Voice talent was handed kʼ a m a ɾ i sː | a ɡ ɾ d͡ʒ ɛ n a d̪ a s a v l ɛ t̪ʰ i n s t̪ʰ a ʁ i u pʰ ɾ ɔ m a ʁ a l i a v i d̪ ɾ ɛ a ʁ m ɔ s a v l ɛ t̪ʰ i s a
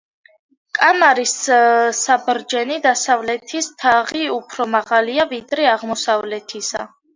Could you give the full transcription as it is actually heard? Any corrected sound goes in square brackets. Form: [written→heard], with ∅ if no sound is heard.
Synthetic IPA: kʼ a m a ɾ i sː | a [ɡ→b] ɾ d͡ʒ ɛ n [a→i] d̪ a s a v l ɛ t̪ʰ i [n→∅] s t̪ʰ a ʁ i u pʰ ɾ ɔ m a ʁ a l i a v i d̪ ɾ ɛ a ʁ m ɔ s a v l ɛ t̪ʰ i s a